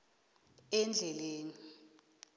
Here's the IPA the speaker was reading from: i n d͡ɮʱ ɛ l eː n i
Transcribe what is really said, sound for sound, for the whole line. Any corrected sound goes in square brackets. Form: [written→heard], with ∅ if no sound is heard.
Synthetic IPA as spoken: [i→ɛ] n d͡ɮʱ ɛ l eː n i